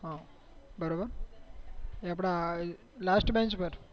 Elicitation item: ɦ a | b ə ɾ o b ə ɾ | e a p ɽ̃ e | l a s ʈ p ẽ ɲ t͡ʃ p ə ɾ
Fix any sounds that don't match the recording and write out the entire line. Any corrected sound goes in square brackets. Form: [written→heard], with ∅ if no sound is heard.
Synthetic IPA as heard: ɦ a | b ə ɾ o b ə ɾ | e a p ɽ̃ [e→a] | l a s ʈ [p→b] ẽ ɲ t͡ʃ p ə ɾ

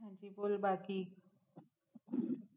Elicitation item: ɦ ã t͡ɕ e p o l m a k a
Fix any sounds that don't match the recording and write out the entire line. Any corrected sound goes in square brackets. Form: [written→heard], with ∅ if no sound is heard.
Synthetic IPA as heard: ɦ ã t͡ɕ [e→i] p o l [m→b] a k [a→i]

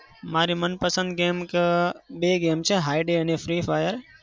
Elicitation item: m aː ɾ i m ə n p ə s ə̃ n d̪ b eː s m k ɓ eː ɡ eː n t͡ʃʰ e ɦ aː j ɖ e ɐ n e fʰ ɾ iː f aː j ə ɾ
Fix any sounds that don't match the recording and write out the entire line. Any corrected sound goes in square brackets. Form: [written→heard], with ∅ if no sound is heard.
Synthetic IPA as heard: m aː ɾ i m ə n p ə s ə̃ n d̪ [b→ɡ] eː [s→∅] m k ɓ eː ɡ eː [n→m] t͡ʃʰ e ɦ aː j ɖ e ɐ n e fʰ ɾ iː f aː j ə ɾ

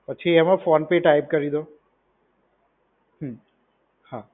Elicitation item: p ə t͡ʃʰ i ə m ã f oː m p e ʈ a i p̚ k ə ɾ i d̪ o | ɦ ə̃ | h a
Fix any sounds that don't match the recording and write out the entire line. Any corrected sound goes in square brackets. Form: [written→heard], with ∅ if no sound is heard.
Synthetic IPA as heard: p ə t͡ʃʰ i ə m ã f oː [m→n] p e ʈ a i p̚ k ə ɾ i d̪ o | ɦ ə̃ | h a

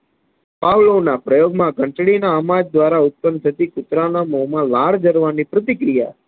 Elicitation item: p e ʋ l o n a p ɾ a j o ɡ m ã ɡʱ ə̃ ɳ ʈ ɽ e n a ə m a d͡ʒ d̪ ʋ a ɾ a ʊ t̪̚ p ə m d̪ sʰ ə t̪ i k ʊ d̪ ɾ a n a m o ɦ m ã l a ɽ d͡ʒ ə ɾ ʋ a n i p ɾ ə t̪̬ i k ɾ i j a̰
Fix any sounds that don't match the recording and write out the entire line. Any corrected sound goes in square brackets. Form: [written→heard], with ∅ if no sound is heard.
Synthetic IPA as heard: p [e→a] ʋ l o n a p ɾ [a→ə] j o ɡ m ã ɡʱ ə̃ ɳ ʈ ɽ [e→i] n a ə m a d͡ʒ d̪ ʋ a ɾ a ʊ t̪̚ p ə [m→n] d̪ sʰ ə t̪ i k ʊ [d̪→t̪] ɾ a n a m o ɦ m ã l a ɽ d͡ʒ ə ɾ ʋ a n i p ɾ ə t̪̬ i k ɾ i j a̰

